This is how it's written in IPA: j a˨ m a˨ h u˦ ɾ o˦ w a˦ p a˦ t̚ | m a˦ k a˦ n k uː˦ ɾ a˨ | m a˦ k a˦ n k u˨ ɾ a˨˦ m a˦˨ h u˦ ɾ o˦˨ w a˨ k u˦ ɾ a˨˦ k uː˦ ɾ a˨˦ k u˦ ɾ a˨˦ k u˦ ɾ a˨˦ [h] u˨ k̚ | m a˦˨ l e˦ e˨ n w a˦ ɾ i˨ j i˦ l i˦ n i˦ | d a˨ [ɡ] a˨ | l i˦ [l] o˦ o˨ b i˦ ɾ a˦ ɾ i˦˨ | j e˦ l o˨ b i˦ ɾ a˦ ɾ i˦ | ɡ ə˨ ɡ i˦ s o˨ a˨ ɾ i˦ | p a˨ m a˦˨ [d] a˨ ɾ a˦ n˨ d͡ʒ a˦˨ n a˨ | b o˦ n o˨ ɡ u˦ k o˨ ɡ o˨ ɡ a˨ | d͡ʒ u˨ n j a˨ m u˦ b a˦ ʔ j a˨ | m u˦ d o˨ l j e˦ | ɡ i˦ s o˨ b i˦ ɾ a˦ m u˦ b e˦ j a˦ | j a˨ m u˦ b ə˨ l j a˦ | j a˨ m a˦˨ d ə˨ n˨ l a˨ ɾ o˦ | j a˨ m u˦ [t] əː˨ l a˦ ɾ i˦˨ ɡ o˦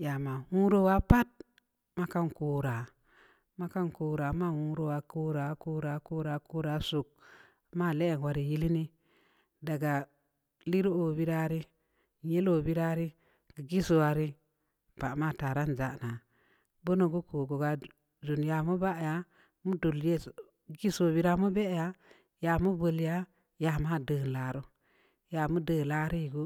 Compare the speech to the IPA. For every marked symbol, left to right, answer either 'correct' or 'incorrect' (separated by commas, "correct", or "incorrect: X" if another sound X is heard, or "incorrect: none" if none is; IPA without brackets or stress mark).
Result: incorrect: s, correct, incorrect: ɾ, incorrect: t, incorrect: d